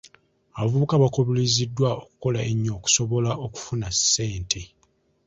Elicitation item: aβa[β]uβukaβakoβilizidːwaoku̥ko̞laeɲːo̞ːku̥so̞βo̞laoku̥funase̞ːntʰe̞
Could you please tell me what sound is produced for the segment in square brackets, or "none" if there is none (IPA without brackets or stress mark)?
v